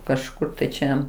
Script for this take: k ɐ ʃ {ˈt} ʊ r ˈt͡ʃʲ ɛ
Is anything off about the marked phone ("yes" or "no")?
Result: yes